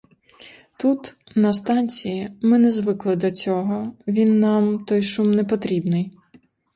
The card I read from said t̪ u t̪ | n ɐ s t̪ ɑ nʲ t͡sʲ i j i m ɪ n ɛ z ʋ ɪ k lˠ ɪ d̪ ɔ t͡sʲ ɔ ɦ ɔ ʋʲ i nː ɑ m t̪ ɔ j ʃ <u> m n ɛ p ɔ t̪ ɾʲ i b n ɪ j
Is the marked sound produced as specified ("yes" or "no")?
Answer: yes